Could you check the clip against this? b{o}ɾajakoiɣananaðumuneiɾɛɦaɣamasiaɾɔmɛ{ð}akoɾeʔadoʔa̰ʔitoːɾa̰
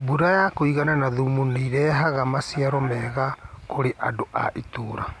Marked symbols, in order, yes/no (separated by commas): no, no